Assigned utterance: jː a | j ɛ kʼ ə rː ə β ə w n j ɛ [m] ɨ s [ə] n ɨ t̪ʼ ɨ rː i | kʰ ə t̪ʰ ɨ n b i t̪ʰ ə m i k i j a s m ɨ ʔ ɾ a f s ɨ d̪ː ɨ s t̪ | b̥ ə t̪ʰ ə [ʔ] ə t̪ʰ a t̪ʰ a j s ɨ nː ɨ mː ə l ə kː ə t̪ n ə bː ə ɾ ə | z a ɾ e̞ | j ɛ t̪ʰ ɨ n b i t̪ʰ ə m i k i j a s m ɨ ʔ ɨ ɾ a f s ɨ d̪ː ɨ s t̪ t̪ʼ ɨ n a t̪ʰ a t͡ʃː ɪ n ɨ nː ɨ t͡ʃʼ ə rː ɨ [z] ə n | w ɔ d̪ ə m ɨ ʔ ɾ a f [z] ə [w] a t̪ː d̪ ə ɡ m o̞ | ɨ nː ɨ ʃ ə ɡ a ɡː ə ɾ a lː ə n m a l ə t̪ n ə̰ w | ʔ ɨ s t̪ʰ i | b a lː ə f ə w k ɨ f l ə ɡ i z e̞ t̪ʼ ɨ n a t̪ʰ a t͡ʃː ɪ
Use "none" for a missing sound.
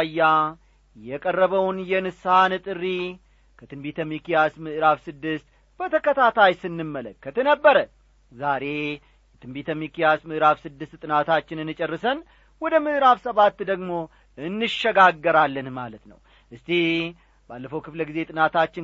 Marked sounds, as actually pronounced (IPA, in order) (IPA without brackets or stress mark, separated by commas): n, a, k, s, s, β